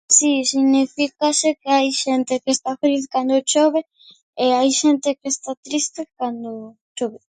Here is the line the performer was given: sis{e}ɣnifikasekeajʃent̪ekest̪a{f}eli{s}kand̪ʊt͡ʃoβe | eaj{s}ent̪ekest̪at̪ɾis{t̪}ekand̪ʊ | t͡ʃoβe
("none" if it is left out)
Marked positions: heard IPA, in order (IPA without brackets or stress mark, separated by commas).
i, f, θ, ʃ, t̪